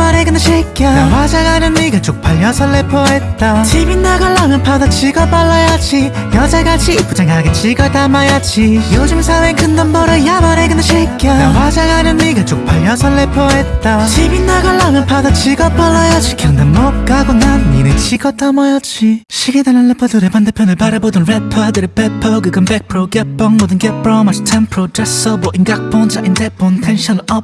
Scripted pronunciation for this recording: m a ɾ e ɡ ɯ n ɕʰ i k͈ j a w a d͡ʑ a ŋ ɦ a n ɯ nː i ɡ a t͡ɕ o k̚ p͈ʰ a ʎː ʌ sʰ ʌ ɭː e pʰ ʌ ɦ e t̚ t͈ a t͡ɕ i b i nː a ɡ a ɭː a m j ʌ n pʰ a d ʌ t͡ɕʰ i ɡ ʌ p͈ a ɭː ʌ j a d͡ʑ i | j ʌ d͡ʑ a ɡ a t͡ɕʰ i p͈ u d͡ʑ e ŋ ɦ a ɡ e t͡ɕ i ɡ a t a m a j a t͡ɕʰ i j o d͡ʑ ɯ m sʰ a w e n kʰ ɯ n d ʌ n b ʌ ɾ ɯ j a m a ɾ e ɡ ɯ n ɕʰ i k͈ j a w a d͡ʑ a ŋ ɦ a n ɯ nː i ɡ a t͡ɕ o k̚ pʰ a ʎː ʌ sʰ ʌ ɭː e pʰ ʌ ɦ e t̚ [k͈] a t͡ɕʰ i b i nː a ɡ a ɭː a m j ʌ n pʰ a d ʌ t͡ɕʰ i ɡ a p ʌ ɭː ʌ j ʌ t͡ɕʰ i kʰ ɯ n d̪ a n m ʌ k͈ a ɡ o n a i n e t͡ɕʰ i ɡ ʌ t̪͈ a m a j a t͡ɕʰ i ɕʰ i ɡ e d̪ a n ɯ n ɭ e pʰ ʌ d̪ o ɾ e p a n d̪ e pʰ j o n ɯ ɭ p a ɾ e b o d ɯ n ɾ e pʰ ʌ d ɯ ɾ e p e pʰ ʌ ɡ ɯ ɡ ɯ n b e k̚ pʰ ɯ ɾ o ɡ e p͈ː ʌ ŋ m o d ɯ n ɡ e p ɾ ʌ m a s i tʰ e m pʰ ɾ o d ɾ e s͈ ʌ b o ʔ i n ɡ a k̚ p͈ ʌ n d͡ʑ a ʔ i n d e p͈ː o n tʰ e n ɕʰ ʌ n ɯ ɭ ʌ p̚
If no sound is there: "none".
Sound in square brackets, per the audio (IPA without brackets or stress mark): t͈